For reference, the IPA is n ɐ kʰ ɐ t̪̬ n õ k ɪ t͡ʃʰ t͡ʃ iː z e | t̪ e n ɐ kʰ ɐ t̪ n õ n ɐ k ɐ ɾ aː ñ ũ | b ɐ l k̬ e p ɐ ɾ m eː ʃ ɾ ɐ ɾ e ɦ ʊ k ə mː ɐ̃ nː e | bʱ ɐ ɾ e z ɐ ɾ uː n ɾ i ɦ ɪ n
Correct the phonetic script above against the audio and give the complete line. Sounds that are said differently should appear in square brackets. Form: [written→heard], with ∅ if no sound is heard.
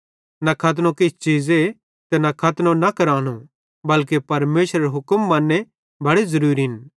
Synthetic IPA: n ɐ kʰ ɐ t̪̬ n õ k ɪ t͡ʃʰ t͡ʃ iː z e | t̪ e n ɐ kʰ ɐ t̪ n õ n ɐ k ɐ ɾ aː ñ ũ | b ɐ l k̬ e p ɐ ɾ m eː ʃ ɾ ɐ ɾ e ɦ ʊ k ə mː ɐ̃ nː e | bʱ ɐ [ɾ→ɽ] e z ɐ ɾ uː [n→∅] ɾ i ɦ ɪ n